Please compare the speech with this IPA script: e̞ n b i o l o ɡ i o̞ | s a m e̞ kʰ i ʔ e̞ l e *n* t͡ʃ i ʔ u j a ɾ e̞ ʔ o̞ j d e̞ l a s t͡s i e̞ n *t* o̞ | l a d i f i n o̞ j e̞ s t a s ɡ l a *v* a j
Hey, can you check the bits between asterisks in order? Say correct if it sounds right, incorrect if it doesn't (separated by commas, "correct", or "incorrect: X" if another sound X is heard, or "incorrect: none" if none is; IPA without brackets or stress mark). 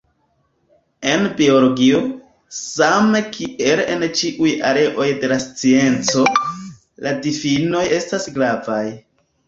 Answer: correct, incorrect: t͡s, correct